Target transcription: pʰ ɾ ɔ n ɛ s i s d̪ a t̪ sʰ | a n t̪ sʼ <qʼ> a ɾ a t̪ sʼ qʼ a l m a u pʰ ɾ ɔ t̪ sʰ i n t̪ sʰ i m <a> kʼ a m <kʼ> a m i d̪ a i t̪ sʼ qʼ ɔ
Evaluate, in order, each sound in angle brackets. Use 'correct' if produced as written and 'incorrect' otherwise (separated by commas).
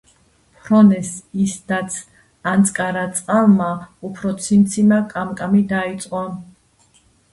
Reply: incorrect, correct, correct